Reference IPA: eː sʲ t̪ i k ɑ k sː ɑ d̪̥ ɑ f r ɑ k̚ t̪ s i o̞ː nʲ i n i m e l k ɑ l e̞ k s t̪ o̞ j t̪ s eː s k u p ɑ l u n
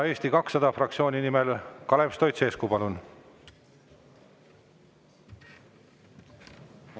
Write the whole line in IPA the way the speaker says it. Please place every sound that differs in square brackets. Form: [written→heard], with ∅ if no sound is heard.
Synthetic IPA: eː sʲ t̪ i k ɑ k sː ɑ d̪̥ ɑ f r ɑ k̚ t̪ s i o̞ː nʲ i n i m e l k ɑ l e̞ [k→p] s t̪ o̞ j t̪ s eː s k u p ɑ l u n

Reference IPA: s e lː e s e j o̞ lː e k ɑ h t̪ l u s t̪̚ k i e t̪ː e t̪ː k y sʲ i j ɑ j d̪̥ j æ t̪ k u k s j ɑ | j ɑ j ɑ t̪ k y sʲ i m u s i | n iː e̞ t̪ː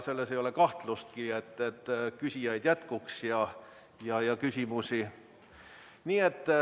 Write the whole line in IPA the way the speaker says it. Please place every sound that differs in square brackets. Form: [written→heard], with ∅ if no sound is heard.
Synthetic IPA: s e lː e s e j o̞ [lː→l] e k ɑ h t̪ l u s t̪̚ k i e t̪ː e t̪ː k y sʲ i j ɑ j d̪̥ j æ t̪ k u k s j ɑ | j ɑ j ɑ [t̪→∅] k y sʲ i m u s i | n iː e̞ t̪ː

